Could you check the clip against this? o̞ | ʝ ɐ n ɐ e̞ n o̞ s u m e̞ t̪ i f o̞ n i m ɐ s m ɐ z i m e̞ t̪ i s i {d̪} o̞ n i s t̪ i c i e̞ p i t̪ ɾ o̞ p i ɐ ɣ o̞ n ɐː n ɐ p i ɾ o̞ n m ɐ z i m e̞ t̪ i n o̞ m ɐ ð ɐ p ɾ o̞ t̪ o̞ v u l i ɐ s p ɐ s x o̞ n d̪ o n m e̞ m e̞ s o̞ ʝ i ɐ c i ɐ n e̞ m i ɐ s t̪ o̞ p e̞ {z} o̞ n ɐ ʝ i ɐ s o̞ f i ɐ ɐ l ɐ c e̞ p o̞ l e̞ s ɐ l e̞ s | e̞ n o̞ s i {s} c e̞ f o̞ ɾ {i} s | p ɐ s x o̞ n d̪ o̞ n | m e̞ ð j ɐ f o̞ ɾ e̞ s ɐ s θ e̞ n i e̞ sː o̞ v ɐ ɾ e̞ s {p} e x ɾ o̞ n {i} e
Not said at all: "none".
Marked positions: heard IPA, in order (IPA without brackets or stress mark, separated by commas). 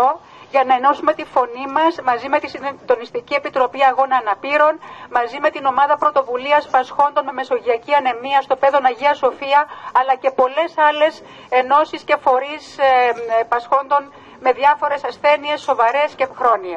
d̪, ð, s, i, c, i